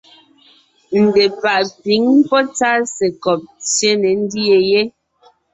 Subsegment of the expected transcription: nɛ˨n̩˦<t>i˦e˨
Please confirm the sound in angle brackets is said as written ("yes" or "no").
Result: no